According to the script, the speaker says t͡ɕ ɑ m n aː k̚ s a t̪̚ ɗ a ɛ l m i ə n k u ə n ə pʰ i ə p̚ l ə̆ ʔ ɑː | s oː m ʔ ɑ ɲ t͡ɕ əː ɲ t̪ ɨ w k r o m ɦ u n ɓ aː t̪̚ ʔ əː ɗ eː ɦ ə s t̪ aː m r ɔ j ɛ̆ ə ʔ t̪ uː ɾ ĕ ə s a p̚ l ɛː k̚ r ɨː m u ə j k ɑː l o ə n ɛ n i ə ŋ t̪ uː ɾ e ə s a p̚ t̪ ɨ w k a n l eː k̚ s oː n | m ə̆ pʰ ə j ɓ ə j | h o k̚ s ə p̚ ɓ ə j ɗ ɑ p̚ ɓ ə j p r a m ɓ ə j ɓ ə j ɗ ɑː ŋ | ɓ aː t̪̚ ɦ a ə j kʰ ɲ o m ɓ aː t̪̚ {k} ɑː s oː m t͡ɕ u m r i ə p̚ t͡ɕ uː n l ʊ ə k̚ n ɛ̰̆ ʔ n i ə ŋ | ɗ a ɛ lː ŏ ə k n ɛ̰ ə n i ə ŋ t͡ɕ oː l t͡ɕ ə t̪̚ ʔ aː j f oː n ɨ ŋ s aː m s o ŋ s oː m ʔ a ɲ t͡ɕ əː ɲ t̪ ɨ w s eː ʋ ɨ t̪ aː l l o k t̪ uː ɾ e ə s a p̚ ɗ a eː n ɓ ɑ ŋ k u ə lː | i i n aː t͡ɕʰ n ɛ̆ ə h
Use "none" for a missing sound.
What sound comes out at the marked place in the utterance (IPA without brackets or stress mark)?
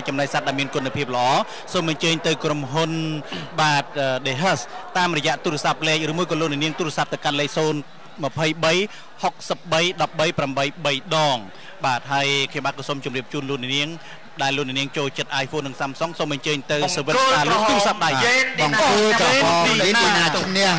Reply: k